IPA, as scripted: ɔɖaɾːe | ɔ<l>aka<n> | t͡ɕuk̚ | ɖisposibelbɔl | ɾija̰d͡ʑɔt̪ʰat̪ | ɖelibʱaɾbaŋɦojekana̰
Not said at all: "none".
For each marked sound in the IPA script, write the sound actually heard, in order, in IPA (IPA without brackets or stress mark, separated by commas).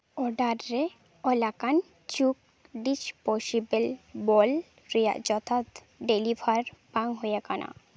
l, n